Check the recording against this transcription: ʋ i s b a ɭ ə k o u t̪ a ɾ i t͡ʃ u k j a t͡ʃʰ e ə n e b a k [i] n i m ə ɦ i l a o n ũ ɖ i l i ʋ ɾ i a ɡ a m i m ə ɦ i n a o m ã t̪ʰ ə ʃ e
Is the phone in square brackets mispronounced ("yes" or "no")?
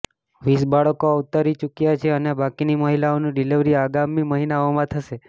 no